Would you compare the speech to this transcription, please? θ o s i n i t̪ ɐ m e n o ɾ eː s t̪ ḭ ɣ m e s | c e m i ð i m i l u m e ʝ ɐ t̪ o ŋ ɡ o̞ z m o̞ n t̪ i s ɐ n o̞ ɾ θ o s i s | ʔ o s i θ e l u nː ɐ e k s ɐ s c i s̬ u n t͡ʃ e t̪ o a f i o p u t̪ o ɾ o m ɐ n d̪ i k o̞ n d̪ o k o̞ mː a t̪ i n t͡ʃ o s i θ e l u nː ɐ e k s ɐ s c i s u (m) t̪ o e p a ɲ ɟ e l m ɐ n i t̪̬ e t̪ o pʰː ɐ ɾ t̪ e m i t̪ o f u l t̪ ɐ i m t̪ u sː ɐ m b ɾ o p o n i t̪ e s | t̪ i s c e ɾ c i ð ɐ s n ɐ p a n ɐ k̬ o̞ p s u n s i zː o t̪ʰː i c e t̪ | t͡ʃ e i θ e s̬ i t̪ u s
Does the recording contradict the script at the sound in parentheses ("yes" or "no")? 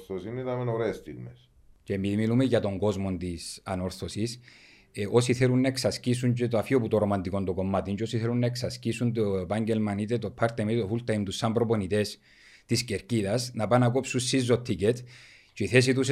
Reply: yes